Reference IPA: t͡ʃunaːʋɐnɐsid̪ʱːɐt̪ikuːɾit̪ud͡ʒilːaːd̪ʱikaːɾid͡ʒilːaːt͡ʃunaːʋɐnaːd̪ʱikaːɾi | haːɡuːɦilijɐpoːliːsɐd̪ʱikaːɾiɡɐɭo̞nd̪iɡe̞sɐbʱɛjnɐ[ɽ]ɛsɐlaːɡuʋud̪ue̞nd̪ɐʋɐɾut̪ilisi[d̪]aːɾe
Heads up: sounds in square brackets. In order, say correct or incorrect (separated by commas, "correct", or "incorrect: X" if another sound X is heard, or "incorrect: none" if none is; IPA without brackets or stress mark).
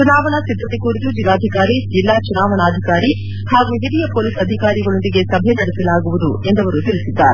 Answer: correct, incorrect: d̪ː